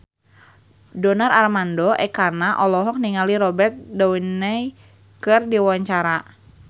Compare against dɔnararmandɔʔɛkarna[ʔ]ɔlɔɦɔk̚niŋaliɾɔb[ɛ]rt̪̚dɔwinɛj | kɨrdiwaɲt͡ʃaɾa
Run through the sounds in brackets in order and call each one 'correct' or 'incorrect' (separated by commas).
correct, correct